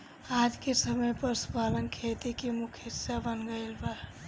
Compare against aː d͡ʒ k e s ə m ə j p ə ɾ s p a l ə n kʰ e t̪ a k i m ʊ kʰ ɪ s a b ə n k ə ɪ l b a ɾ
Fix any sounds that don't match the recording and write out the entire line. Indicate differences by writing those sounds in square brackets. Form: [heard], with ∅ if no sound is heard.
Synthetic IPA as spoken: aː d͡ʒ k e s ə m ə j p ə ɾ s p a l ə n kʰ e t̪ [i] k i m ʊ kʰ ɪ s a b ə n [ɡ] ə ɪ l b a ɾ